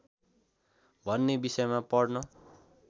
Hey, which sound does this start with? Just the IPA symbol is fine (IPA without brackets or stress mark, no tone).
bʱ